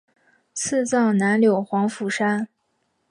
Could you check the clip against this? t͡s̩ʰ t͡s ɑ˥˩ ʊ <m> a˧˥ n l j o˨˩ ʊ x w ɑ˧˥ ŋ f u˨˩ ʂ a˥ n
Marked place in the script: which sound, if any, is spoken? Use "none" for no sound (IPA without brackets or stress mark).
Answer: n